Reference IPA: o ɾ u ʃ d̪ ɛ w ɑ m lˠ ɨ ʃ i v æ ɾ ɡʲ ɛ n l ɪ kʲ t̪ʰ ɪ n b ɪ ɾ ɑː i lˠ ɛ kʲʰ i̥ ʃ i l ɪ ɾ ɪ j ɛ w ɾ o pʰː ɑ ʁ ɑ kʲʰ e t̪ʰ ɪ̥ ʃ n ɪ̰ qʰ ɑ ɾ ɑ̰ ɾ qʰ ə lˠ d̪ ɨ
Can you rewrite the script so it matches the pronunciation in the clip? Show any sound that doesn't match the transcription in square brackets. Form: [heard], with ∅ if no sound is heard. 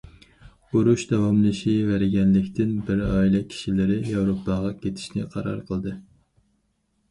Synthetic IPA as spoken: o ɾ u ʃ d̪ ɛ w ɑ m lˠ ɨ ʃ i v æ ɾ ɡʲ ɛ n l ɪ kʲ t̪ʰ ɪ n b ɪ ɾ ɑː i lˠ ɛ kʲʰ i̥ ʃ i l ɪ ɾ ɪ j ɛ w ɾ o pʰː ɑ ʁ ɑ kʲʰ e t̪ʰ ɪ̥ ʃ n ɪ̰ qʰ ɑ ɾ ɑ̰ ɾ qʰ ə lˠ d̪ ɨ